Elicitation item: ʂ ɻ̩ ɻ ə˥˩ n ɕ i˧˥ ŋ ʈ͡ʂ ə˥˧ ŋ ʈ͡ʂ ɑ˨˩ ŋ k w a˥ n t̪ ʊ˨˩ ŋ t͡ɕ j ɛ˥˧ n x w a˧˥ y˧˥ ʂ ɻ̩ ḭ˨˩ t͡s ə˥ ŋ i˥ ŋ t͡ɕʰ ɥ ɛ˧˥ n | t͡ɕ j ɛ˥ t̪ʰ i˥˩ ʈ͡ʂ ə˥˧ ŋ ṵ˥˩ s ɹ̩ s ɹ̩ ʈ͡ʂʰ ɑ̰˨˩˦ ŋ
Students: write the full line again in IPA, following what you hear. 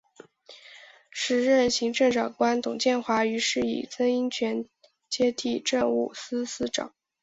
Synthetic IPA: ʂ ɻ̩ ɻ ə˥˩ n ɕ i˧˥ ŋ ʈ͡ʂ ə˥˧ ŋ ʈ͡ʂ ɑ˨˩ ŋ k w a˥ n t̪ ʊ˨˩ ŋ t͡ɕ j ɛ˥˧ n x w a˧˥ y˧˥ ʂ ɻ̩ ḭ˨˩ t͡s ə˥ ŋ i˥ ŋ t͡ɕʰ ɥ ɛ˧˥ n | t͡ɕ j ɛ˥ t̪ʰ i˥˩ ʈ͡ʂ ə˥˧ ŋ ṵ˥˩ s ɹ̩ s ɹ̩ ʈ͡ʂ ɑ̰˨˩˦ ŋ